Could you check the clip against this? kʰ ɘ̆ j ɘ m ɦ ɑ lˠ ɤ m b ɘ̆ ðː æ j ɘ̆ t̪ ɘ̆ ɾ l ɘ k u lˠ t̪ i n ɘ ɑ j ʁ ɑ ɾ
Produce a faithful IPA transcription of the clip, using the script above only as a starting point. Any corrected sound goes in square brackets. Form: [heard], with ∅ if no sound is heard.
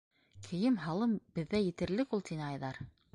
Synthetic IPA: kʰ ɘ̆ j ɘ m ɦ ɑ lˠ ɤ m b ɘ̆ ðː æ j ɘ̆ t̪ ɘ̆ ɾ l ɘ k u lˠ t̪ i n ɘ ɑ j [ð] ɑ ɾ